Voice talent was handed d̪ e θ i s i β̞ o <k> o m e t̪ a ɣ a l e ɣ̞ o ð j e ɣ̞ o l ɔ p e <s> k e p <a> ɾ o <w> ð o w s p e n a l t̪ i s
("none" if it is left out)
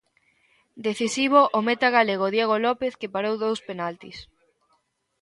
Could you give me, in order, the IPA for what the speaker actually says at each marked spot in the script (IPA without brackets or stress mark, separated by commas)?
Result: ʔ, θ, a, w